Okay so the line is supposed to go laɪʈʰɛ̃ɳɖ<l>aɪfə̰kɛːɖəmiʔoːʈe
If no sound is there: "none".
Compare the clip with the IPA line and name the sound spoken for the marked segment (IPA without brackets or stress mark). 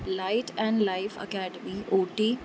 l